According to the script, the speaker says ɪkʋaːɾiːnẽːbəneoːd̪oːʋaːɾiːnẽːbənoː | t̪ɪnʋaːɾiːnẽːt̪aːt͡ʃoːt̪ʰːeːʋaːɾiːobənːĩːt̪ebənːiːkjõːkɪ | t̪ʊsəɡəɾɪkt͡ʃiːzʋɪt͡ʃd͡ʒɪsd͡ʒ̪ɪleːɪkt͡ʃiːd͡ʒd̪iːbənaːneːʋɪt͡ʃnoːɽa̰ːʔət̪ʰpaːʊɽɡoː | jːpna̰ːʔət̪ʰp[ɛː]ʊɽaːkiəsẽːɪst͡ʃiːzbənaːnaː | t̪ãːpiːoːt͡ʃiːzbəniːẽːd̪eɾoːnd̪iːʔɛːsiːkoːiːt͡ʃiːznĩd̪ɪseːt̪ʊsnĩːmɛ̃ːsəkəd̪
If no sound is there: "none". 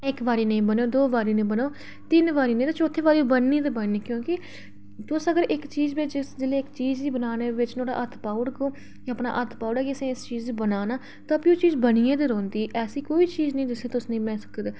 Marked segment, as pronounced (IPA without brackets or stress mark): aː